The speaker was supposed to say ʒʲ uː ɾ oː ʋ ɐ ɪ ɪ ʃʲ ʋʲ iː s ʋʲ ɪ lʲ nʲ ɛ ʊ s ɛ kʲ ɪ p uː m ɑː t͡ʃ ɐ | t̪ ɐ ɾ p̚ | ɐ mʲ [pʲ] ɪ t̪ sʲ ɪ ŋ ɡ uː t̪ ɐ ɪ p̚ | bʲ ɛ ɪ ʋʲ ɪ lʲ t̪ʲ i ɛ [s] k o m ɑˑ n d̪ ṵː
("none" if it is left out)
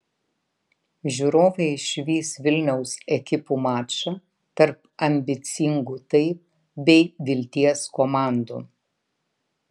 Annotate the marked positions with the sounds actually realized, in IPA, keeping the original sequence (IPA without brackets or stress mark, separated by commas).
bʲ, s